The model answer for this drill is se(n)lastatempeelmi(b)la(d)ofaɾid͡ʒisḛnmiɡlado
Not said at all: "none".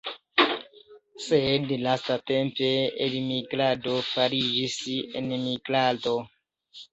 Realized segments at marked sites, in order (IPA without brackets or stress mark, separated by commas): d, ɡ, d